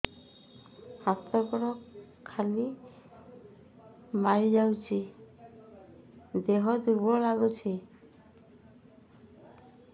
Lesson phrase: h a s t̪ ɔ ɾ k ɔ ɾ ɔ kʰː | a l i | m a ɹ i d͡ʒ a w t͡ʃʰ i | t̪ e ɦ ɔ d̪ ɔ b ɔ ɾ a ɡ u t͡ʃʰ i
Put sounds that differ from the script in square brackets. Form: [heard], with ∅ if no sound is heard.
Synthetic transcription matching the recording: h a s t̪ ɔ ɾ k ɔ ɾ ɔ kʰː | a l i | m a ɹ i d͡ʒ a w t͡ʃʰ i | [d̪] e ɦ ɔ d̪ [u] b ɔ [l] a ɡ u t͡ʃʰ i